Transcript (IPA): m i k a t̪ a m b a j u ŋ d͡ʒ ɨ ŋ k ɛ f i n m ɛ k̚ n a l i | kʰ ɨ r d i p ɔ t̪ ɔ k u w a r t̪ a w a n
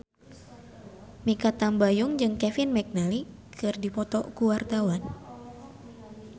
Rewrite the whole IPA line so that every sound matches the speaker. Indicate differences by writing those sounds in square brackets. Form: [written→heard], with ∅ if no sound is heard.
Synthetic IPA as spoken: m i k a t̪ a m b a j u ŋ d͡ʒ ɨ ŋ k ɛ f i n m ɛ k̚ n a l i | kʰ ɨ r d i p ɔ t̪ ɔ k u w a r t̪ a w a n

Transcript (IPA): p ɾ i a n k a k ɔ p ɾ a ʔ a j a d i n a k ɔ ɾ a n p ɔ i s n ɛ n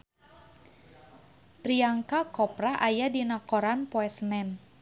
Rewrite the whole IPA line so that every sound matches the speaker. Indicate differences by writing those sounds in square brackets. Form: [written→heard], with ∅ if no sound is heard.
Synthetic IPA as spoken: p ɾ i a [n→ŋ] k a k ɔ p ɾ a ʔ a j a d i n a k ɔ ɾ a n p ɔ [i→ɛ] s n ɛ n

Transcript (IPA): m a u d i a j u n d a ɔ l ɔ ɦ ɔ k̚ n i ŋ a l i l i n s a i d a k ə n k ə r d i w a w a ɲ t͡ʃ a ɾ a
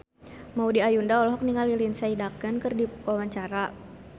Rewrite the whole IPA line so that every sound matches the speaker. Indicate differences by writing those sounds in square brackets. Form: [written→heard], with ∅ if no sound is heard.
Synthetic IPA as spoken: m a u d i a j u n d a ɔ l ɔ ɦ ɔ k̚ n i ŋ a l i l i n s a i d a k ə n k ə r d i w a w a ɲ t͡ʃ a ɾ a

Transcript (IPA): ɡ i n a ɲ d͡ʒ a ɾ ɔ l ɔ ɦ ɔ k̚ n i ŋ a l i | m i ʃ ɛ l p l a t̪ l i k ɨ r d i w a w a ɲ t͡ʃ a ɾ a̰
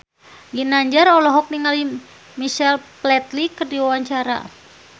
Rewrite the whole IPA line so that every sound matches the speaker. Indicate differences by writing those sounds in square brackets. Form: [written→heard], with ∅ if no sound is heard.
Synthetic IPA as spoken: ɡ i n a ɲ d͡ʒ a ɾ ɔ l ɔ ɦ ɔ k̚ n i ŋ a l i | m i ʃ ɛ l p l [a→ɛ] t̪ l i k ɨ r d i w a w a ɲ t͡ʃ a ɾ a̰

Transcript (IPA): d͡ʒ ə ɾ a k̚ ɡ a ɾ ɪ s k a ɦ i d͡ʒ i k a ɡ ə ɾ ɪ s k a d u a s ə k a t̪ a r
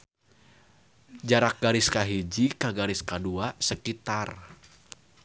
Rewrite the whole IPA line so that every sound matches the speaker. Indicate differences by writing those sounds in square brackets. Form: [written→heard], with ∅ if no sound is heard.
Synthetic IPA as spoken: d͡ʒ [ə→a] ɾ a k̚ ɡ a ɾ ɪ s k a ɦ i d͡ʒ i k a ɡ [ə→a] ɾ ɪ s k a d u a s ə k [a→i] t̪ a r

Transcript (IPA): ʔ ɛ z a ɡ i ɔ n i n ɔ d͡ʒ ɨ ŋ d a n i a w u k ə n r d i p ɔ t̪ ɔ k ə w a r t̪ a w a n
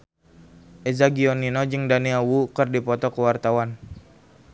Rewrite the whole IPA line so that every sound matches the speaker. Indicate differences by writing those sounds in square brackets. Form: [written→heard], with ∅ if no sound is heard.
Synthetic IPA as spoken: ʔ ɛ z a ɡ i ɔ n i n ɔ d͡ʒ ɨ ŋ d a n i a w u k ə [n→∅] r d i p ɔ t̪ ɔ k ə w a r t̪ a w a n

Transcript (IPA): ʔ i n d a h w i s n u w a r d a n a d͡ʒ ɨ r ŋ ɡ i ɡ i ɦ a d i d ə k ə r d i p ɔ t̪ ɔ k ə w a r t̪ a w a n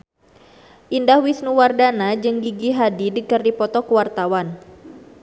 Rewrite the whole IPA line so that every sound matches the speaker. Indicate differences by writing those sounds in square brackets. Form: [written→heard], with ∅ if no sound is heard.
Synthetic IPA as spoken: ʔ i n d a h w i s n u w a r d a n a d͡ʒ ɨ [r→∅] ŋ ɡ i ɡ i ɦ a d i d ə k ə r d i p ɔ t̪ ɔ k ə w a r t̪ a w a n

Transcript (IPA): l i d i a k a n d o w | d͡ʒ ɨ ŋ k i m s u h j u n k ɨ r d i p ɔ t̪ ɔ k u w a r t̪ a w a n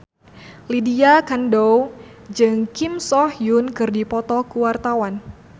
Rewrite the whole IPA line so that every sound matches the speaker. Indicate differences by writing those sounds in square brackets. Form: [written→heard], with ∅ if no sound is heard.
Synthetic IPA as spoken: l i d i a k a n d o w | d͡ʒ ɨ ŋ k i m s [u→ɔ] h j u n k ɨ r d i p ɔ t̪ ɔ k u w a r t̪ a w a n

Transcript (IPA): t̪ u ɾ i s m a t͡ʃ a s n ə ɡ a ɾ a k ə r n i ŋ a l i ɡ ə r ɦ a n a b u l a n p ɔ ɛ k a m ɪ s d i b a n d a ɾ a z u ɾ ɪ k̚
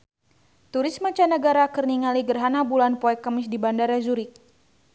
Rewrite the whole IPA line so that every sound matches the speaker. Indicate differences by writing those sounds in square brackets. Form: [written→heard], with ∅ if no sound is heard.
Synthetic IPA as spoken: t̪ u ɾ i s m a t͡ʃ a [s→∅] n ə ɡ a ɾ a k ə r n i ŋ a l i ɡ ə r ɦ a n a b u l a n p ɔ ɛ k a m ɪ s d i b a n d a ɾ a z u ɾ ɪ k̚

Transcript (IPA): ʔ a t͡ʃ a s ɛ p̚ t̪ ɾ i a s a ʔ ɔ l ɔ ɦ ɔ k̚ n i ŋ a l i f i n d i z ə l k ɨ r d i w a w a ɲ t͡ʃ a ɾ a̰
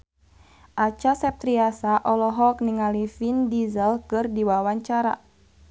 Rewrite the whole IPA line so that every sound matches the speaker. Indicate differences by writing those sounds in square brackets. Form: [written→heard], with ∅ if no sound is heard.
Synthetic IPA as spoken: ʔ a t͡ʃ a s ɛ p̚ t̪ ɾ i a s a ʔ ɔ l ɔ ɦ ɔ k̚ n i ŋ a l i f i n d i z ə l k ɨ r d i w a w a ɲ t͡ʃ a ɾ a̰

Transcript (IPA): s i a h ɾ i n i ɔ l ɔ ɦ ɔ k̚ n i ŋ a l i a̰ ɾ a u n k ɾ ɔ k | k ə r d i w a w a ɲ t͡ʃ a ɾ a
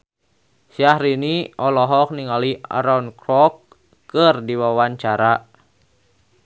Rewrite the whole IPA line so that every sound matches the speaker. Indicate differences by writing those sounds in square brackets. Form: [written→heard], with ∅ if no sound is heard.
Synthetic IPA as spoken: s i a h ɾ i n i ɔ l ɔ ɦ ɔ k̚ n i ŋ a l i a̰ ɾ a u n k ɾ ɔ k | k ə r d i w a w a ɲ t͡ʃ a ɾ a

